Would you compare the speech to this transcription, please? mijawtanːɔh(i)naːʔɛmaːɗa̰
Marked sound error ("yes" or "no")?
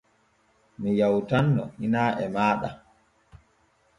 no